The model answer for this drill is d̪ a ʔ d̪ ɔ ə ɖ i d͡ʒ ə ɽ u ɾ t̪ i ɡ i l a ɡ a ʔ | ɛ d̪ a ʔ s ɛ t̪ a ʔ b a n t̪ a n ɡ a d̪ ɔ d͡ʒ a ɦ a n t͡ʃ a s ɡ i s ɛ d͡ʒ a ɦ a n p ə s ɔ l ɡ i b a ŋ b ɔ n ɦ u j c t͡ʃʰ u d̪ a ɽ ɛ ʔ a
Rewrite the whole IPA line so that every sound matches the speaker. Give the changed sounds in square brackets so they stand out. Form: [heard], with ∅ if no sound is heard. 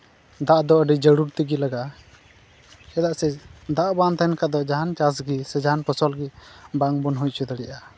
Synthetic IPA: d̪ a ʔ d̪ ɔ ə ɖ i d͡ʒ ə ɽ u ɾ t̪ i ɡ i l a ɡ a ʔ | ɛ d̪ a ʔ s ɛ [d̪] a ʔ b a n t̪ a n [k] a d̪ ɔ d͡ʒ a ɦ a n t͡ʃ a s ɡ i s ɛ d͡ʒ a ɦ a n p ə s ɔ l ɡ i b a ŋ b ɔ n ɦ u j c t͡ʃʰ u d̪ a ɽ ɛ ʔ a